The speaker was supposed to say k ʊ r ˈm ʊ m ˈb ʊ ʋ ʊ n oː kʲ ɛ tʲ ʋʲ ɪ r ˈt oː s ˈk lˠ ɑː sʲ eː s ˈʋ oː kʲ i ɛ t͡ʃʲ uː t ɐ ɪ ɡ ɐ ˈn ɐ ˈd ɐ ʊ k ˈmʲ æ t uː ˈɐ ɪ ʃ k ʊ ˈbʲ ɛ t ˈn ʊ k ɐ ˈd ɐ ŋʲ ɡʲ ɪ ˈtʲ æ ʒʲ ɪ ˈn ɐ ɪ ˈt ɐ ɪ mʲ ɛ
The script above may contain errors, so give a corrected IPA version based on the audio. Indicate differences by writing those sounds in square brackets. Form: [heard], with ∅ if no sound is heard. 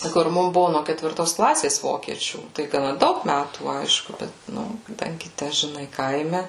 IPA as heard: k ʊ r ˈm ʊ m ˈb ʊ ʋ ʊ n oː kʲ ɛ tʲ ʋʲ ɪ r ˈt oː s ˈk lˠ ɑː sʲ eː s ˈʋ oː kʲ i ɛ t͡ʃʲ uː t ɐ ɪ ɡ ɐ ˈn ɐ ˈd ɐ ʊ k ˈmʲ æ t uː ˈɐ ɪ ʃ k ʊ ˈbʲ ɛ t ˈn ʊ k ɐ ˈd ɐ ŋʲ ɡʲ ɪ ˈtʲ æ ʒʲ ɪ ˈn ɐ ɪ [ˈk] ɐ ɪ mʲ ɛ